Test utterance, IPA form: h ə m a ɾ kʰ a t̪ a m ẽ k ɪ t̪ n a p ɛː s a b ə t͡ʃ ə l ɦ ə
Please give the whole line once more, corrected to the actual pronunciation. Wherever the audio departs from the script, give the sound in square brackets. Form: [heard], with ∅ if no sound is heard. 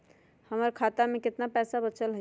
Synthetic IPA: h ə m [ə] ɾ kʰ a t̪ a m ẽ k ɪ t̪ n a p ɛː s a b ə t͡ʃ ə l ɦ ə